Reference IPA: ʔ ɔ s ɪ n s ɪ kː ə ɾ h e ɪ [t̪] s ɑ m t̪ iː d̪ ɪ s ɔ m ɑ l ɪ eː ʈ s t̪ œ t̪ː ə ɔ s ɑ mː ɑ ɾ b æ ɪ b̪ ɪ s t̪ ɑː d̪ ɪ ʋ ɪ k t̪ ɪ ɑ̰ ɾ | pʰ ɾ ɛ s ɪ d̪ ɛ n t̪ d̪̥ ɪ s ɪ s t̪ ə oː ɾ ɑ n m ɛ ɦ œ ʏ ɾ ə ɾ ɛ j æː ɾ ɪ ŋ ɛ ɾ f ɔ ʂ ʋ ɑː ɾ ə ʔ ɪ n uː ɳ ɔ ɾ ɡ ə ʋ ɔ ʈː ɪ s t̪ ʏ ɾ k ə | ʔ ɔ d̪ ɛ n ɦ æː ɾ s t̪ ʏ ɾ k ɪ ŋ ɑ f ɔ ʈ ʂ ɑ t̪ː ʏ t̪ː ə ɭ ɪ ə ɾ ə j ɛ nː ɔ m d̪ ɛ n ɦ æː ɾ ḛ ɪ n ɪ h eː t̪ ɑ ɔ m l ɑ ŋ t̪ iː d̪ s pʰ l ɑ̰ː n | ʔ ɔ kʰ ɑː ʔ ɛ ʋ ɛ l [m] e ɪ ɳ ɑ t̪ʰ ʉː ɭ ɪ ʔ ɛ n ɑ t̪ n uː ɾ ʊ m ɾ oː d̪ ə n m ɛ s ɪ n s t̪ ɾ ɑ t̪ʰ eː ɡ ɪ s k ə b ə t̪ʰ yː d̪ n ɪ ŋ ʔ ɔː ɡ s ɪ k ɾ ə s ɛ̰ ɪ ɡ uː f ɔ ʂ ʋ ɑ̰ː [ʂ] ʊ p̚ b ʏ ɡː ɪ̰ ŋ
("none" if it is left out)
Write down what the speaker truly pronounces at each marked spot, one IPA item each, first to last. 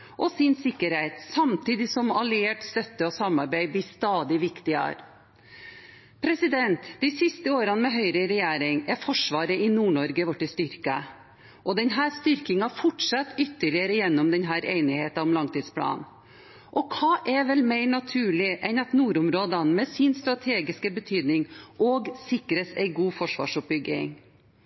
t̪, m, ʂ

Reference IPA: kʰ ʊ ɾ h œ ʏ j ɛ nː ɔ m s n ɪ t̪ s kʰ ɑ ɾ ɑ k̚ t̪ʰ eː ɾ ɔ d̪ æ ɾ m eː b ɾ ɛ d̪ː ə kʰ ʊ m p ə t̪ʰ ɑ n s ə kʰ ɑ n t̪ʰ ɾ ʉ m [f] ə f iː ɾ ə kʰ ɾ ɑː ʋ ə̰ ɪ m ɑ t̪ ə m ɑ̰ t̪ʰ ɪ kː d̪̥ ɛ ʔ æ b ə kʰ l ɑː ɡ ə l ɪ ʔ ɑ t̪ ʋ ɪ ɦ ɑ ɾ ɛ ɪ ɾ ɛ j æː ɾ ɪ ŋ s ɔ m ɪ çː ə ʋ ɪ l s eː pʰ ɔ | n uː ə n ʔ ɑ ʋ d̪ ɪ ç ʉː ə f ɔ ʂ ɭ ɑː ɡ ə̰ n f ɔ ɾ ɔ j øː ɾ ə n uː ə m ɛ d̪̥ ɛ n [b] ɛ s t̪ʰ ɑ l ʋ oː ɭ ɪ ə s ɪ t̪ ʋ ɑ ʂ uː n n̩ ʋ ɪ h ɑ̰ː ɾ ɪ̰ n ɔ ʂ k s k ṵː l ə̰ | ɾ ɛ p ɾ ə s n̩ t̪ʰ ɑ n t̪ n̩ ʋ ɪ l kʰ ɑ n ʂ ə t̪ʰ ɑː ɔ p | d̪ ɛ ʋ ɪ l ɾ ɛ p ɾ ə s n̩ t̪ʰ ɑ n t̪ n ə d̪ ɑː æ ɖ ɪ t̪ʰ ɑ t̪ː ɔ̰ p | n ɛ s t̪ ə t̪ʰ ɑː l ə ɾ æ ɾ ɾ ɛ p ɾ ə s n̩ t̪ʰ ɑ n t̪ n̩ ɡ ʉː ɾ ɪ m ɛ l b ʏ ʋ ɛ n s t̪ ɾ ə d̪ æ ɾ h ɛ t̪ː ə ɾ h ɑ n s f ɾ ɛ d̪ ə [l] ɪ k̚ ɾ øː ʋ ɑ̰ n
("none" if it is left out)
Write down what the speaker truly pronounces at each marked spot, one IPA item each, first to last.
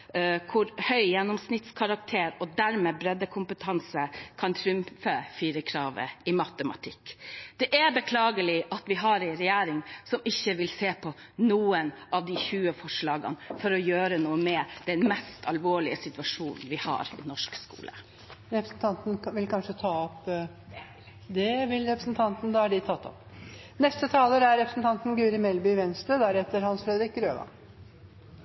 f, m, ɾ

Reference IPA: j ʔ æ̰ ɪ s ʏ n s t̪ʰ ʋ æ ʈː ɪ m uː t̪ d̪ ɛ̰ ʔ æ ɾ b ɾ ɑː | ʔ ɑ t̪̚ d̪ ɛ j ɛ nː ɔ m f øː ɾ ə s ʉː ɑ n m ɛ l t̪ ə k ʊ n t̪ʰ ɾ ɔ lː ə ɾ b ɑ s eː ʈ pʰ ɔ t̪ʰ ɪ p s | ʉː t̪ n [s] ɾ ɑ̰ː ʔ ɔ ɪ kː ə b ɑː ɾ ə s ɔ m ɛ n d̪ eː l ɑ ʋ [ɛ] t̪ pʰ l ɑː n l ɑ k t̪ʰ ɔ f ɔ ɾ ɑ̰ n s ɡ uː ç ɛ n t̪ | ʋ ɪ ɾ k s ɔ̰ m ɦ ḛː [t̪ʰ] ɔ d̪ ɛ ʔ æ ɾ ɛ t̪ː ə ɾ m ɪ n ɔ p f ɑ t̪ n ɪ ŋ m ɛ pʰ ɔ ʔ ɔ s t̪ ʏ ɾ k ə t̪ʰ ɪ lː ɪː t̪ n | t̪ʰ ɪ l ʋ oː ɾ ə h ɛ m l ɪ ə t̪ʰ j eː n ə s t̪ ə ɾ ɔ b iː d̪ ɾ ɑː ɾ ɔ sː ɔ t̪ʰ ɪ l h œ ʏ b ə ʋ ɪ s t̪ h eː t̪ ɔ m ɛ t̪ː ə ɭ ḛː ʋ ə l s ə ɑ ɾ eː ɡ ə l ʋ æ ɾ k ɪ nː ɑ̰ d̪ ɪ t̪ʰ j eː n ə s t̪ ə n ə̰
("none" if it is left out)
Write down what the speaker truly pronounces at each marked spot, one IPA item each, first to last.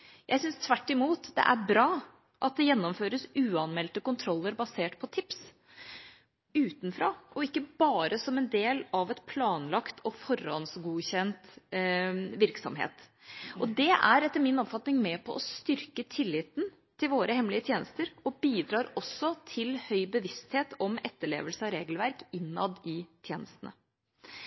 f, ɛ, t̪

